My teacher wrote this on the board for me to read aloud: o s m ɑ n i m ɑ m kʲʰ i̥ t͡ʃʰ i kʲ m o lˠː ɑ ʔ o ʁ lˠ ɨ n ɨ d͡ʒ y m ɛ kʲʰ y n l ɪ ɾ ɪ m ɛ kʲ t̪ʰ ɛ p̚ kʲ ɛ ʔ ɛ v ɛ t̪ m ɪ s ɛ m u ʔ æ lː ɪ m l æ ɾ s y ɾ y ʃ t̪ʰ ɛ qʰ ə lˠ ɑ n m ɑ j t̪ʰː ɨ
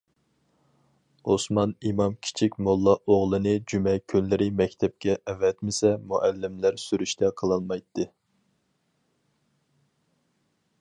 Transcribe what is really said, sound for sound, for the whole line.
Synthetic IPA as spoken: o s m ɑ n i m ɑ m kʲʰ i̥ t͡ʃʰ i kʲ m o lˠː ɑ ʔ o ʁ lˠ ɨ n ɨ d͡ʒ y m ɛ kʲʰ y n l ɪ ɾ ɪ m ɛ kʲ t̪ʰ ɛ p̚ kʲ ɛ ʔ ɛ v ɛ t̪ m ɪ s ɛ m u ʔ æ lː ɪ m l æ ɾ s y ɾ y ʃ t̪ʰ ɛ qʰ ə lˠ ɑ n m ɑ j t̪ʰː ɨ

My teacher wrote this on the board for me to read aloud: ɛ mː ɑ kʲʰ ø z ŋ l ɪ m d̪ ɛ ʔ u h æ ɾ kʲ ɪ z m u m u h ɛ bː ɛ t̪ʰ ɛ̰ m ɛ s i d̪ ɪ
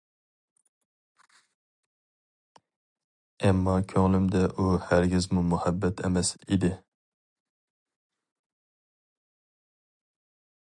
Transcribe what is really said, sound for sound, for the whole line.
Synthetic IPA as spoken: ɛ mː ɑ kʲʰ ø ŋ l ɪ m d̪ ɛ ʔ u h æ ɾ ɡʲ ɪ z m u m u h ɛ bː ɛ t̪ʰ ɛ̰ m ɛ s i d̪ ɪ

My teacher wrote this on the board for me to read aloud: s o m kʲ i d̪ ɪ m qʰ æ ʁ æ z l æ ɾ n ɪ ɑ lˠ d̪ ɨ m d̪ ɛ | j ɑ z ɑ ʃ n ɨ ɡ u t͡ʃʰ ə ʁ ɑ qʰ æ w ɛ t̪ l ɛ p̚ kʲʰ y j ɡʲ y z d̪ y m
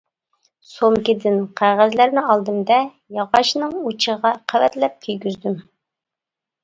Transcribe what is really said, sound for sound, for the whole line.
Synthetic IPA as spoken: s o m kʲ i d̪ ɪ n qʰ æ ʁ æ z l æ ɾ n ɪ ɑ lˠ d̪ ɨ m d̪ ɛ | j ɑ ʁ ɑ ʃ n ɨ ŋ u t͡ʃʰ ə ʁ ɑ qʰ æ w ɛ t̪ l ɛ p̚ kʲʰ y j ɡʲ y z d̪ y m

